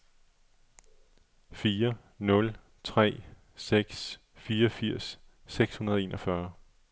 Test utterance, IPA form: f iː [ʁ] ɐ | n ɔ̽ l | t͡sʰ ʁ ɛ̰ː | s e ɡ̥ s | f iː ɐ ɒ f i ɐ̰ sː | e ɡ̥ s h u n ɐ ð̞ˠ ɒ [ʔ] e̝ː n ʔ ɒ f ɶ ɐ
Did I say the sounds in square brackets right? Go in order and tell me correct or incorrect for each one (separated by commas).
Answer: incorrect, incorrect